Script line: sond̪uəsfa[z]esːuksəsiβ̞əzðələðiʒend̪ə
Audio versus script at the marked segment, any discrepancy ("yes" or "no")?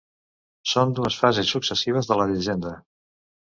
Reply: no